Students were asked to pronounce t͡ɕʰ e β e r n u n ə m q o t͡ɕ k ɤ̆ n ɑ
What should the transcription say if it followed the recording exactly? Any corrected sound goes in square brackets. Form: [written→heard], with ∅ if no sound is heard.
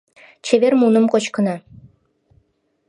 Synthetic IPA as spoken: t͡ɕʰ e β e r [n→m] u n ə m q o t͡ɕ k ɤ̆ n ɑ